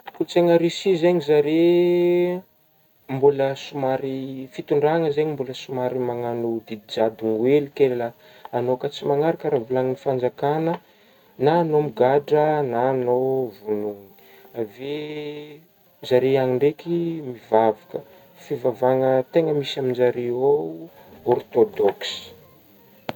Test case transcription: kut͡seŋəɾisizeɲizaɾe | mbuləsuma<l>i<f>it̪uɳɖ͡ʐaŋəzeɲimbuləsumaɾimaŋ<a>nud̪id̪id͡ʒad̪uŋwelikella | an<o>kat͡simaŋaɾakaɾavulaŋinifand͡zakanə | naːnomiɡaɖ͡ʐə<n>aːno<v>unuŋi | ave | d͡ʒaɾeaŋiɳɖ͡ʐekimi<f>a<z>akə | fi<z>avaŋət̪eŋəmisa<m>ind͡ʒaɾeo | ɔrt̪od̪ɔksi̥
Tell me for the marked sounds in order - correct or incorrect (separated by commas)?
incorrect, correct, correct, correct, correct, correct, incorrect, incorrect, incorrect, correct